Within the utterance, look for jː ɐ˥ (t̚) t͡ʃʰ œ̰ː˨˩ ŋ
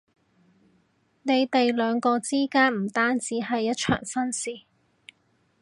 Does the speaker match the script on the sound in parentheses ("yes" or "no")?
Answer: yes